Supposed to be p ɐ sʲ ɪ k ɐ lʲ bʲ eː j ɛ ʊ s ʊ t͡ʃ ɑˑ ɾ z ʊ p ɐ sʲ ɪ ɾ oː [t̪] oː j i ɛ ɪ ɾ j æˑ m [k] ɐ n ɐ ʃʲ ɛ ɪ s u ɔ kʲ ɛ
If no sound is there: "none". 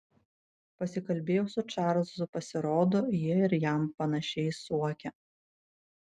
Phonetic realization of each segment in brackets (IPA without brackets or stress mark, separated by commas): d̪, p